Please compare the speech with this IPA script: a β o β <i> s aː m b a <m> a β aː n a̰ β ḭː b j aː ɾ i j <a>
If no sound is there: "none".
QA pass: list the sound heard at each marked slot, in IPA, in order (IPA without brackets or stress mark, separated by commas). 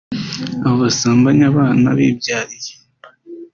a, ɲ, e